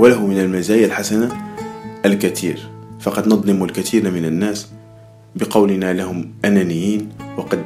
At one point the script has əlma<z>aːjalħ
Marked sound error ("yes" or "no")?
no